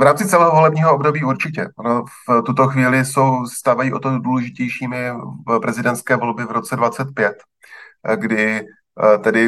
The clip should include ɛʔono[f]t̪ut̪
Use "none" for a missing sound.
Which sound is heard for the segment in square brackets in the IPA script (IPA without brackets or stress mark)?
f